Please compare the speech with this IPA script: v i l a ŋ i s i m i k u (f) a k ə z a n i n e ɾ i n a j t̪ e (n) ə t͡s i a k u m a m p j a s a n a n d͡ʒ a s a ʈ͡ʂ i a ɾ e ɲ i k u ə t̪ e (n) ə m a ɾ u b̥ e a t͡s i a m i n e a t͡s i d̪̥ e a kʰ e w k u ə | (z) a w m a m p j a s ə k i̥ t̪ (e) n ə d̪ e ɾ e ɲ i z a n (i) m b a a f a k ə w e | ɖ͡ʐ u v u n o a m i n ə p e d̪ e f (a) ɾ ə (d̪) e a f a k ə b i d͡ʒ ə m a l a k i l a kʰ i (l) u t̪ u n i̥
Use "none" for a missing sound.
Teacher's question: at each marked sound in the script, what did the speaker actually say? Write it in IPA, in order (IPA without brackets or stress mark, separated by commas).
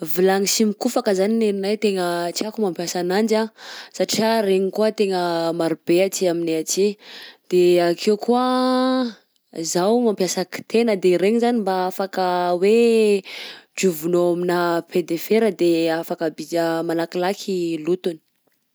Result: f, ŋ, ŋ, z, e, i, e, d̪, l